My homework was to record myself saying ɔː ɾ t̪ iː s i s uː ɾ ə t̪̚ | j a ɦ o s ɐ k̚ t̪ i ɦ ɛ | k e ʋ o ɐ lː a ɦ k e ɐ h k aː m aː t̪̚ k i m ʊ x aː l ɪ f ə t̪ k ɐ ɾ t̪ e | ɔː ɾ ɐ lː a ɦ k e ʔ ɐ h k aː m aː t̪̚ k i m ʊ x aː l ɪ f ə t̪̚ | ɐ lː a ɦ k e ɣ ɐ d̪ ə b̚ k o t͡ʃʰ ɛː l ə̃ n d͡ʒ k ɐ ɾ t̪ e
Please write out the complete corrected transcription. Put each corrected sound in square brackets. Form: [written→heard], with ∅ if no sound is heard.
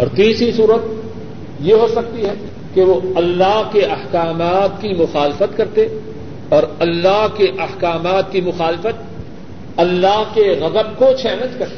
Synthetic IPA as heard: ɔː ɾ t̪ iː s i s uː ɾ ə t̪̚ | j [a→e] ɦ o s ɐ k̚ t̪ i ɦ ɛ | k e ʋ o ɐ lː a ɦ k e ɐ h k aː m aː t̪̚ k i m ʊ x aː l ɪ f ə t̪ k ɐ ɾ t̪ e | ɔː ɾ ɐ lː a ɦ k e ʔ ɐ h k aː m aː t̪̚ k i m ʊ x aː l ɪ f ə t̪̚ | ɐ lː a ɦ k e ɣ ɐ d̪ ə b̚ k o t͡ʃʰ ɛː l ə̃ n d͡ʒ k ɐ ɾ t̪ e